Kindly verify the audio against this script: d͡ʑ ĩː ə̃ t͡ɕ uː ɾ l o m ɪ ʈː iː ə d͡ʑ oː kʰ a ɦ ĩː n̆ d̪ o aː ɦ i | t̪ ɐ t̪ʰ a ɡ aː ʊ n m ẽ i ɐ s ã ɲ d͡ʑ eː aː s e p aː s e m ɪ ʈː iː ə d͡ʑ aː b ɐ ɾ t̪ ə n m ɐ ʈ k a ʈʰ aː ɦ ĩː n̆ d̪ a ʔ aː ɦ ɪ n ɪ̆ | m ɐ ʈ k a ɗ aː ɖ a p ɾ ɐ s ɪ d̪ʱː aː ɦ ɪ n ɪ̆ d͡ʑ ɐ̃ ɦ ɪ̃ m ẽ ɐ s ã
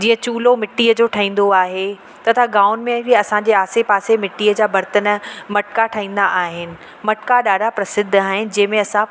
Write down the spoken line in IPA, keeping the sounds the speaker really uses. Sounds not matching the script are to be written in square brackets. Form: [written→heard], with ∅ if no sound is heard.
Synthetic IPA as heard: d͡ʑ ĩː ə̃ t͡ɕ uː [ɾ→∅] l o m ɪ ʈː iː ə d͡ʑ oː [kʰ→ʈʰ] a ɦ ĩː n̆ d̪ o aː ɦ [i→e] | t̪ ɐ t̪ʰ a ɡ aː ʊ n m ẽ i ɐ s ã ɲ d͡ʑ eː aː s e p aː s e m ɪ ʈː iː ə d͡ʑ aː b ɐ ɾ t̪ ə n m ɐ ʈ k a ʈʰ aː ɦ ĩː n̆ d̪ a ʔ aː ɦ ɪ n ɪ̆ | m ɐ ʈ k a ɗ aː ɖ a p ɾ ɐ s ɪ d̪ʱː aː ɦ ɪ n ɪ̆ d͡ʑ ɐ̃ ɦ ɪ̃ m ẽ ɐ s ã

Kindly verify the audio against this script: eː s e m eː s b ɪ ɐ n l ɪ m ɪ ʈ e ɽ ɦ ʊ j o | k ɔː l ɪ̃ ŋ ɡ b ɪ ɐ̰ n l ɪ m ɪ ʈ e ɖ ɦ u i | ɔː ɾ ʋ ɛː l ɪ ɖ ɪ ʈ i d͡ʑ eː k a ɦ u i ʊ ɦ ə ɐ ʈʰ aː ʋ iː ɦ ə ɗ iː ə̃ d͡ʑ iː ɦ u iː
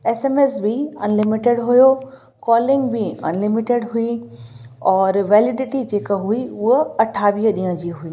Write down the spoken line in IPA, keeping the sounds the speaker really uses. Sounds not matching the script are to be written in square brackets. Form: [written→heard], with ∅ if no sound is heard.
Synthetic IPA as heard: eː s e m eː s b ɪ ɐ n l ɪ m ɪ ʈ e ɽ ɦ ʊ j o | k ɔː l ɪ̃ ŋ ɡ b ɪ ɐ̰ n l ɪ m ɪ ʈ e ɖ ɦ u i | ɔː ɾ ʋ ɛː l ɪ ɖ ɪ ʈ i d͡ʑ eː k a ɦ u i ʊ ɦ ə ɐ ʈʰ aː ʋ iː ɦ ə ɗ iː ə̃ d͡ʑ iː ɦ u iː

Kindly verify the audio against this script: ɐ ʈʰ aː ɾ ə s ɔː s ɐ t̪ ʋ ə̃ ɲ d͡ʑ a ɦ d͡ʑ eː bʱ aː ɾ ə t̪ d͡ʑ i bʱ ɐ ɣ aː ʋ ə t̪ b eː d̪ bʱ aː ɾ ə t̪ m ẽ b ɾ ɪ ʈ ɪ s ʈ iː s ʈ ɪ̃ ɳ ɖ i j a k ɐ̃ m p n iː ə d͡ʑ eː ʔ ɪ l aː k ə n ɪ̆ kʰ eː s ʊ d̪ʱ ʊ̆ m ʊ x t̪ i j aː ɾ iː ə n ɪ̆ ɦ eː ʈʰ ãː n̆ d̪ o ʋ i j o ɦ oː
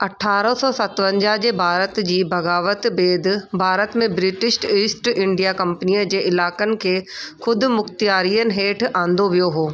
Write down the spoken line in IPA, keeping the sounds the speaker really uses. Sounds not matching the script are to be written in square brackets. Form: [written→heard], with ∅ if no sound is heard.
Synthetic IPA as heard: ɐ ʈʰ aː ɾ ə s ɔː s ɐ t̪ ʋ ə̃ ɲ d͡ʑ a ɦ d͡ʑ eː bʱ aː ɾ ə t̪ d͡ʑ [i→iː] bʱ ɐ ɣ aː ʋ ə t̪ b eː d̪ bʱ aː ɾ ə t̪ m ẽ b ɾ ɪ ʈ ɪ s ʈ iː s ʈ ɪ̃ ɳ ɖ i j a k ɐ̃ m p n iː ə d͡ʑ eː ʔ ɪ l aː k ə n ɪ̆ kʰ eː [s→x] ʊ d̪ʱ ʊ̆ m ʊ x t̪ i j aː ɾ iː ə n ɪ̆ ɦ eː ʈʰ ãː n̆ d̪ o ʋ i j o ɦ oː

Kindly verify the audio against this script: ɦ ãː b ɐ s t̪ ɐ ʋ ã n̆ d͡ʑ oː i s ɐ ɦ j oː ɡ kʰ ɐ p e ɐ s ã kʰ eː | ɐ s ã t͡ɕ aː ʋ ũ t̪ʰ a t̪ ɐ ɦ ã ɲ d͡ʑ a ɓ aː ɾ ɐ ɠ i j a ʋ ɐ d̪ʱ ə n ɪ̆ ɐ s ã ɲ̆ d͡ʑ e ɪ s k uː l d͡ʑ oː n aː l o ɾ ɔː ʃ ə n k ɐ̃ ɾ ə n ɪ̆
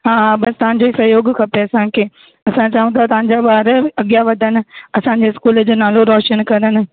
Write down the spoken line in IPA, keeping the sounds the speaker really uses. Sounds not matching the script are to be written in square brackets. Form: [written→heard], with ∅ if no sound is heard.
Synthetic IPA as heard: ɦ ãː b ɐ s t̪ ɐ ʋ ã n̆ d͡ʑ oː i s ɐ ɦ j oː ɡ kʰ ɐ p e ɐ s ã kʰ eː | ɐ s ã t͡ɕ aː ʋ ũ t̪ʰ a t̪ ɐ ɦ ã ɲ d͡ʑ a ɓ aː ɾ ɐ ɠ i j a ʋ ɐ d̪ʱ ə n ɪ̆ ɐ s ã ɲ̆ d͡ʑ e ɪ s k uː l d͡ʑ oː n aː l o ɾ ɔː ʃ ə n k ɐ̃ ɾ ə n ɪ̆

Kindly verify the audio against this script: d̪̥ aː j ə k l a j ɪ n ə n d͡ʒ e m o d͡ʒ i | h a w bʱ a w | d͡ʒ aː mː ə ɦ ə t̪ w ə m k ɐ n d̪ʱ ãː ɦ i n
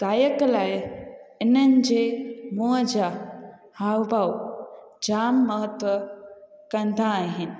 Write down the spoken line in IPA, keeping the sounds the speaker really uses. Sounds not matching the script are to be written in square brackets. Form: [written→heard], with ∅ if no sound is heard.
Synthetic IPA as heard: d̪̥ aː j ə k l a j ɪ n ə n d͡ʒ e m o d͡ʒ [i→a] | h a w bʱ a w | d͡ʒ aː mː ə ɦ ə t̪ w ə [m→∅] k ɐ n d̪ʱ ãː ɦ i n

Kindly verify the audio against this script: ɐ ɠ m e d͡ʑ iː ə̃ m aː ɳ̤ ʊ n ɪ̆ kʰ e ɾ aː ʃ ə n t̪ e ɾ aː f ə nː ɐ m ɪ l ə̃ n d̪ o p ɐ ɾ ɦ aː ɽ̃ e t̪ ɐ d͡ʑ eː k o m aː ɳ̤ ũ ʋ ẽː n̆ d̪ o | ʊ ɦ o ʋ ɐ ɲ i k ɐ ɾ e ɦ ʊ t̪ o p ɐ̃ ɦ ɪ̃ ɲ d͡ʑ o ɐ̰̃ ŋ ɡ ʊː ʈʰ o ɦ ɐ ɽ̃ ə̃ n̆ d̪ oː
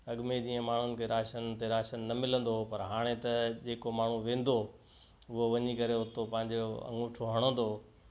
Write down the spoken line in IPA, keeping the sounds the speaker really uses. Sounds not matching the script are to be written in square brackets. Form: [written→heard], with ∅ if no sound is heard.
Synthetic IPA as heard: ɐ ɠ m e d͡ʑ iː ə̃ m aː ɳ̤ ʊ n ɪ̆ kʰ e ɾ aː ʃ ə n t̪ e ɾ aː [f→ʃ] ə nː ɐ m ɪ l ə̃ n d̪ o p ɐ ɾ ɦ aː ɽ̃ e t̪ ɐ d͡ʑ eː k o m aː ɳ̤ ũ ʋ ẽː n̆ d̪ o | ʊ ɦ o ʋ ɐ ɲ i k ɐ ɾ e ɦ ʊ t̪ o p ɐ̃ ɦ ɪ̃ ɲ d͡ʑ o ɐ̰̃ ŋ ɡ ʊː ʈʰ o ɦ ɐ ɽ̃ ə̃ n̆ d̪ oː

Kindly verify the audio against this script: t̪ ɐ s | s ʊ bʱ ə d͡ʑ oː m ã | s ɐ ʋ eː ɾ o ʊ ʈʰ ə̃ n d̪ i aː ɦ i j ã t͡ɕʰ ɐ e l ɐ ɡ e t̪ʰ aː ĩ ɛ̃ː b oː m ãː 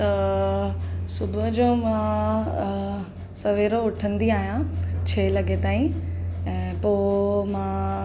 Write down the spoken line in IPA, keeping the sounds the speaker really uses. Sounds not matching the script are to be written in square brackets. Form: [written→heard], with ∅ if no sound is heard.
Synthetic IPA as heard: t̪ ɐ [s→∅] | s ʊ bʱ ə d͡ʑ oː m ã | s ɐ ʋ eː ɾ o ʊ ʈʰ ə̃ n d̪ i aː ɦ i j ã t͡ɕʰ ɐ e l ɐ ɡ e [t̪ʰ→t̪] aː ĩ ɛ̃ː [b→p] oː m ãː

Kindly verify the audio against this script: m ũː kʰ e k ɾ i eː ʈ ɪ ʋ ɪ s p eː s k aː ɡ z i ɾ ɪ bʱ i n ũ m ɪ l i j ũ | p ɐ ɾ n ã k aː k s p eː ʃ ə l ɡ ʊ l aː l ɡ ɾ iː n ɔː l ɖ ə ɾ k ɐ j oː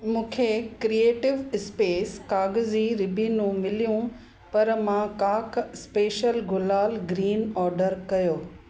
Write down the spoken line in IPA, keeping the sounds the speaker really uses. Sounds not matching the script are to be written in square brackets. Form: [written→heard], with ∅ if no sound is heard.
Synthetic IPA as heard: m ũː kʰ e k ɾ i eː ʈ ɪ ʋ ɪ s p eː s k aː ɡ z i ɾ ɪ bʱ i n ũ m ɪ l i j ũ | p ɐ ɾ [n→m] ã k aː k s p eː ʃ ə l ɡ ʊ l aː l ɡ ɾ iː n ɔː [l→ɾ] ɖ ə ɾ k ɐ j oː

